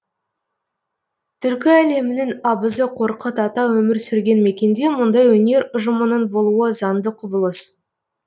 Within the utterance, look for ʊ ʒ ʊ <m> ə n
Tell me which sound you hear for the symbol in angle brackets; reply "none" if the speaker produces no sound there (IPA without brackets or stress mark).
m